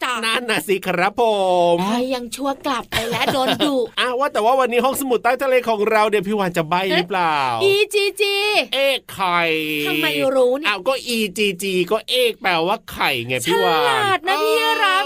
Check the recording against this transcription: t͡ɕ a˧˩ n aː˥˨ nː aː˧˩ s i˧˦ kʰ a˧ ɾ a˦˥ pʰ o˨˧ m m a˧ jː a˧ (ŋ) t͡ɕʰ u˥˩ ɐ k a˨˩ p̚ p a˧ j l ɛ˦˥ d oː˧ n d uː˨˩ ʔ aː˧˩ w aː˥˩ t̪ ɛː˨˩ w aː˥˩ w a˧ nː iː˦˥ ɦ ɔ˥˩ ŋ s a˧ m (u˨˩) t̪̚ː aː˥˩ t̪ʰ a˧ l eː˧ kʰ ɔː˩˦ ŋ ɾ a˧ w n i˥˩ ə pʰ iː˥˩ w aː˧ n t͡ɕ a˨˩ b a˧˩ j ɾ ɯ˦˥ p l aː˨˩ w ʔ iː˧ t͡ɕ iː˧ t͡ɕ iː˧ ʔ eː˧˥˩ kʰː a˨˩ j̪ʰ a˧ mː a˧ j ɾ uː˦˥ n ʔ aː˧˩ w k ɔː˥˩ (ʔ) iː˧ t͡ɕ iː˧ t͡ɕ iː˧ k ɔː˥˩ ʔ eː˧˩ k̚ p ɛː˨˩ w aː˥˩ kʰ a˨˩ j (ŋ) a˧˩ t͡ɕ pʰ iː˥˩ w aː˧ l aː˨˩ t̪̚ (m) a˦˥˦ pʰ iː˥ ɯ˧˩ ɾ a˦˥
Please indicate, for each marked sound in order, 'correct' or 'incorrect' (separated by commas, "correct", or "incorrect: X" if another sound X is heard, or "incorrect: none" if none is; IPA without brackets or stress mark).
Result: correct, correct, correct, correct, incorrect: n